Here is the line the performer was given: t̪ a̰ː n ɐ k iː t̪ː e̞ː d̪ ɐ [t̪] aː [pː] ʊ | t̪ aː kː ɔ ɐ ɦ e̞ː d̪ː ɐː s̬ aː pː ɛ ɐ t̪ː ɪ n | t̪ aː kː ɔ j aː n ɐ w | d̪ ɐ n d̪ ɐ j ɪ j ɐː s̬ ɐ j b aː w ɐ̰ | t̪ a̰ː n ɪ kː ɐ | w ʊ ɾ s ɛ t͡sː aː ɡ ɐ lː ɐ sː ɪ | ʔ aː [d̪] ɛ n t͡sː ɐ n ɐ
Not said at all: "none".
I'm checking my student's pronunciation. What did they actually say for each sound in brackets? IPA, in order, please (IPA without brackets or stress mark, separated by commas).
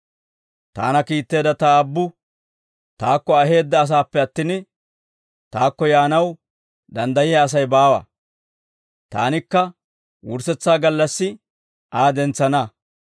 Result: t̪, bː, d̪